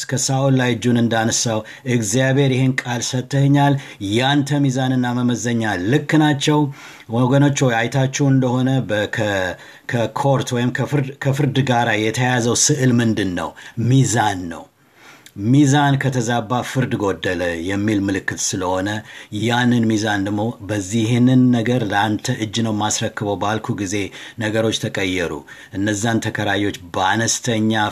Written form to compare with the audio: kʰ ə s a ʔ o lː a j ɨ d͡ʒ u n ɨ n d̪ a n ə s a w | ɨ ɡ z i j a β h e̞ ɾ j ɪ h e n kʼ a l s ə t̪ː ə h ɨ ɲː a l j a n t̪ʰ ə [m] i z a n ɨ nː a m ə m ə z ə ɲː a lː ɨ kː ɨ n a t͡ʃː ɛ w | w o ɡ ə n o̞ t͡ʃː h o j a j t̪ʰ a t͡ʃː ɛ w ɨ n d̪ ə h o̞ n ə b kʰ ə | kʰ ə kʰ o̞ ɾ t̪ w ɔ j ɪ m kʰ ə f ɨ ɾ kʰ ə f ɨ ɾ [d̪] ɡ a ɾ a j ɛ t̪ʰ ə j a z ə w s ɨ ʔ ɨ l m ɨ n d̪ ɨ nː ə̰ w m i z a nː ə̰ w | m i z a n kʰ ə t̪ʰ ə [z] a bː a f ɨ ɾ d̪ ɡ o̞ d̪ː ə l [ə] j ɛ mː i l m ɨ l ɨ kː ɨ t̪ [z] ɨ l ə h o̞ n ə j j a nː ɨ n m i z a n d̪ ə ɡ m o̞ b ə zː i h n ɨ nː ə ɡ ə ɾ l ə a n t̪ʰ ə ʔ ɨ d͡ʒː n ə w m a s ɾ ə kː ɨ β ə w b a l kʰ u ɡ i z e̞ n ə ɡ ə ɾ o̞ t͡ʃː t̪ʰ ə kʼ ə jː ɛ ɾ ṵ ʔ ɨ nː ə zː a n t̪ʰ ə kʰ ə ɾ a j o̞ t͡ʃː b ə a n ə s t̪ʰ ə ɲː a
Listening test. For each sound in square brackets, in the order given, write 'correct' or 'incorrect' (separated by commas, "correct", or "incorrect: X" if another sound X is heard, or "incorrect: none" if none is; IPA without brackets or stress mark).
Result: correct, correct, correct, correct, incorrect: s